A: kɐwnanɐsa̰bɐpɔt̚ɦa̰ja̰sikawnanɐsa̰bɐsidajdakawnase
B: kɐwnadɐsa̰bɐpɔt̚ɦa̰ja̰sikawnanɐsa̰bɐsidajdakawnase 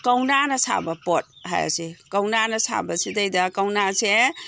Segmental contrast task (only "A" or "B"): A